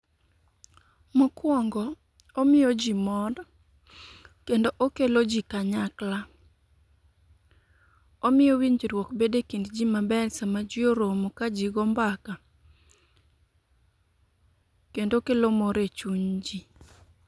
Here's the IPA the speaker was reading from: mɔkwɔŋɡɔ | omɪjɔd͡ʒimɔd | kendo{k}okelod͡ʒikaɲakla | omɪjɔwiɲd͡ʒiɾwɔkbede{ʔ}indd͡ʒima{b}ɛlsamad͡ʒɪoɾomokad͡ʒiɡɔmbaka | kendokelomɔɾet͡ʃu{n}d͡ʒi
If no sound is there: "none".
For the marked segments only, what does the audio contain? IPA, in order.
ʔ, k, b, ɲ

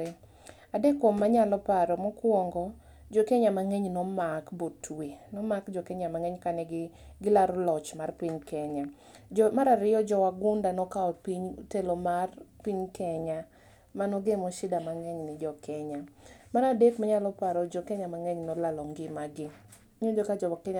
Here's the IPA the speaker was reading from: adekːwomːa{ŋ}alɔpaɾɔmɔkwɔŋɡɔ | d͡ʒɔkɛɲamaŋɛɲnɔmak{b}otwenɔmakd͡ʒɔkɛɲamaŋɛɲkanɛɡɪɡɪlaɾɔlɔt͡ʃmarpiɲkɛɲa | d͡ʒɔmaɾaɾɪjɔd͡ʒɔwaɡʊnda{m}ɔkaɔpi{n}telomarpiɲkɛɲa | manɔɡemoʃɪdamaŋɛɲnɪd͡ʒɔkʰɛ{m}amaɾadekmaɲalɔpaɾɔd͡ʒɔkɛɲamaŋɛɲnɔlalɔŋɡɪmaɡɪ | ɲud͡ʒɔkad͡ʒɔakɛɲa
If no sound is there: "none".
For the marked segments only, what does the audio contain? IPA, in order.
ɲ, b, n, ɲ, ɲ

